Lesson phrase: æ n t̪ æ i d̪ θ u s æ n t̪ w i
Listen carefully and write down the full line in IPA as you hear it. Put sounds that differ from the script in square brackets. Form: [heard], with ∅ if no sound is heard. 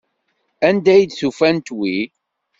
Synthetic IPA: æ n [d̪] æ [j] d̪ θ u [f] æ n t̪ w i

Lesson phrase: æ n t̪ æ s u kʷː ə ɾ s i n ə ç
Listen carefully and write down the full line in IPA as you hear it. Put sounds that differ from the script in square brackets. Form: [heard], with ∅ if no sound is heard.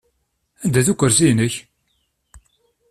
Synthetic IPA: æ n [d̪] æ [θ] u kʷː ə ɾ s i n ə ç

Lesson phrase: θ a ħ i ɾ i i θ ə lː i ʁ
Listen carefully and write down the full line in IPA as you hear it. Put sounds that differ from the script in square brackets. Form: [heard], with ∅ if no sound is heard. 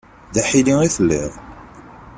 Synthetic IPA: [ð] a ħ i [l] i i θ ə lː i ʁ

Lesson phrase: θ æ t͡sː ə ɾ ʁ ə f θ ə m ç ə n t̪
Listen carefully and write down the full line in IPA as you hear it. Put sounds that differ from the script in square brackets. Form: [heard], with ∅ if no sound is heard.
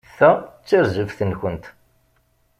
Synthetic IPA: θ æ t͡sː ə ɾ [z] ə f θ ə [n] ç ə n t̪

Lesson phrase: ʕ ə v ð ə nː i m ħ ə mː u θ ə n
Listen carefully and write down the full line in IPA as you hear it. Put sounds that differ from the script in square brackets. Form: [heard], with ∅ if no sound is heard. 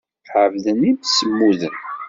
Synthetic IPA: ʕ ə v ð ə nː i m [s] ə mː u [ð] ə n

